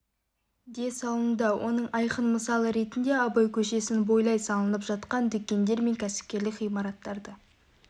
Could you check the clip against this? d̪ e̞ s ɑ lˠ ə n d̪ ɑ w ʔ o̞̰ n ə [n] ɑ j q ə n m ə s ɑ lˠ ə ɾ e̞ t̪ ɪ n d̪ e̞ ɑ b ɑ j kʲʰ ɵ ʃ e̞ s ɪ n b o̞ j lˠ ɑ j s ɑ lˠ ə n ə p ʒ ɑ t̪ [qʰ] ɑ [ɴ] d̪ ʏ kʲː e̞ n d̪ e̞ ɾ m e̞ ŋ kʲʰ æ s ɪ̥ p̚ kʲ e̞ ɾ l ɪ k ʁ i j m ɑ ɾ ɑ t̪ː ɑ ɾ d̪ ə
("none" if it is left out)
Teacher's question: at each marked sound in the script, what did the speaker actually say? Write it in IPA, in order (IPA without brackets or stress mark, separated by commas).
ɴ, q, n